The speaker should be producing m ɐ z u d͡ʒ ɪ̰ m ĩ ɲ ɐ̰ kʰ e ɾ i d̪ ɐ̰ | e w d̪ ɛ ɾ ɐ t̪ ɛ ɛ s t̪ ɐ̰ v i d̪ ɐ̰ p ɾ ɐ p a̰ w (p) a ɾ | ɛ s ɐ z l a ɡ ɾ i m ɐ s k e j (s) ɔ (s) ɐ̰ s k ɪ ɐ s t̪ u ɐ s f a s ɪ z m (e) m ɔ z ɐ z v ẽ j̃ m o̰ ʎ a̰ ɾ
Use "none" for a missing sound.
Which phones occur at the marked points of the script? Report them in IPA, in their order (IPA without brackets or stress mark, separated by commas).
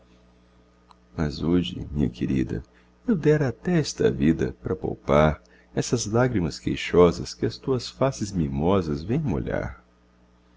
p, ʃ, z, i